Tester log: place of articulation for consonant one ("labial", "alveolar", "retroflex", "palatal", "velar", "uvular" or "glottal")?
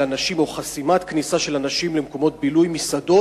alveolar